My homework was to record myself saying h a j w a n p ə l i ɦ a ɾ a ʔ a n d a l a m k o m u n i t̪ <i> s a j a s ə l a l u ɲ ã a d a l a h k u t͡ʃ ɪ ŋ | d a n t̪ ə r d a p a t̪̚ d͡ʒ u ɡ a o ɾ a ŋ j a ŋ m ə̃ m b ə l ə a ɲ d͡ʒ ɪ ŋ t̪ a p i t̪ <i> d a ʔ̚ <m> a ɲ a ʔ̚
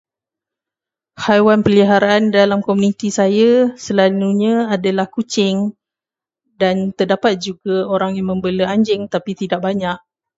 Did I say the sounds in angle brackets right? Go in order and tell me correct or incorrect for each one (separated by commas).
correct, correct, incorrect